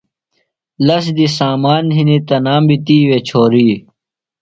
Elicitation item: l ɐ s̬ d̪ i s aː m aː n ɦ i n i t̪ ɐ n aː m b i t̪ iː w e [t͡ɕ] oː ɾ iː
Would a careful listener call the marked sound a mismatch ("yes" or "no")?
yes